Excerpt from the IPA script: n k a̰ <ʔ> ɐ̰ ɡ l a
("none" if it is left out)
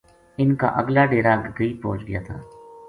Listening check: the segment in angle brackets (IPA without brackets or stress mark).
ʔ